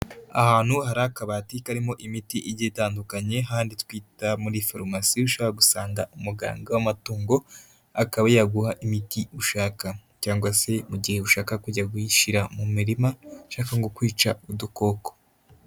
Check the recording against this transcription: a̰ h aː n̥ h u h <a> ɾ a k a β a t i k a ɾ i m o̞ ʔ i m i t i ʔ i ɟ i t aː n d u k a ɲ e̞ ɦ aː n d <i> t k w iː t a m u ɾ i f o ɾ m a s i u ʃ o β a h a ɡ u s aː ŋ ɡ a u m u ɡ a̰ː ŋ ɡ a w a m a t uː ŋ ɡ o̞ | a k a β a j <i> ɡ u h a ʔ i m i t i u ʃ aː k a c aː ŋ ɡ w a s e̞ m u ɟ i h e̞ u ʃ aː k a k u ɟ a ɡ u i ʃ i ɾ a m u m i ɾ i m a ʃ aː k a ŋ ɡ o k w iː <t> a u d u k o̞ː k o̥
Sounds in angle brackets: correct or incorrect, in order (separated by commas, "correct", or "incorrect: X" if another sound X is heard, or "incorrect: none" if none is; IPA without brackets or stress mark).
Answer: correct, correct, incorrect: a, incorrect: t͡ʃ